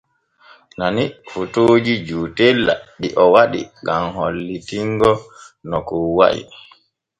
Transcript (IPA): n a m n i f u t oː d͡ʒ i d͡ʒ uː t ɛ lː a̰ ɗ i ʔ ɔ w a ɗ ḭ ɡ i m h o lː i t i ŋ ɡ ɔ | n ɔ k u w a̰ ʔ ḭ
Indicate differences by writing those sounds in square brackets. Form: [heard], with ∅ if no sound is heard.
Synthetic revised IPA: n a [∅] n i f u t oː d͡ʒ i d͡ʒ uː t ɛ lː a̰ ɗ i ʔ ɔ w a ɗ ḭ ɡ [a] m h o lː i t i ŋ ɡ ɔ | n ɔ k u w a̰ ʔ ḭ